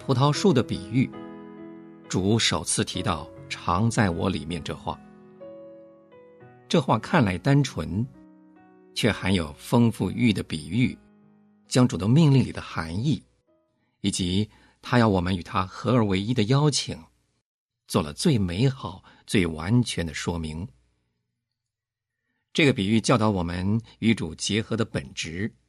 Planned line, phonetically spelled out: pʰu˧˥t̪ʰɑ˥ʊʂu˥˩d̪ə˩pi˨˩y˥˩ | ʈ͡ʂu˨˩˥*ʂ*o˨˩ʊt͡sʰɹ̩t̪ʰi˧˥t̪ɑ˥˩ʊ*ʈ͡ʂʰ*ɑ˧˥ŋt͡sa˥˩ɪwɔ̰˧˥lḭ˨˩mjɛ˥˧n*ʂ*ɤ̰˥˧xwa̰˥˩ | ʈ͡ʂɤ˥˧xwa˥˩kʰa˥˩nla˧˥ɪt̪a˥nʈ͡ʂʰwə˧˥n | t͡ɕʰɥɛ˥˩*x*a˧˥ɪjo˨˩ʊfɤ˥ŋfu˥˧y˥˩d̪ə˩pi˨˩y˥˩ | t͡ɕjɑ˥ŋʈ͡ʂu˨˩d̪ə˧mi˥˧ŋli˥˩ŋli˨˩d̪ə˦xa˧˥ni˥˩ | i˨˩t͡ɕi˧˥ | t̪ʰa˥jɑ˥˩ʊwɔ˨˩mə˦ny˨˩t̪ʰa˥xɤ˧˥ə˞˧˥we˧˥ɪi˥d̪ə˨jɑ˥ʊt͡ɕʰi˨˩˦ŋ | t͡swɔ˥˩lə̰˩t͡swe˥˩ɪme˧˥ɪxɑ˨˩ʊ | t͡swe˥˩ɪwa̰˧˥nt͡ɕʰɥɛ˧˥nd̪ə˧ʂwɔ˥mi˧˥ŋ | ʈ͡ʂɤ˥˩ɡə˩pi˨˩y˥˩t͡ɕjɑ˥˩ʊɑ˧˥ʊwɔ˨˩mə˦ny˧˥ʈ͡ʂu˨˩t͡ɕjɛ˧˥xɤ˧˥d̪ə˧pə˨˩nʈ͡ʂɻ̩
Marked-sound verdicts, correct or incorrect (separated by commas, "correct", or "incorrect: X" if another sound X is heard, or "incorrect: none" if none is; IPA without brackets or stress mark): correct, correct, incorrect: ʈ͡ʂ, correct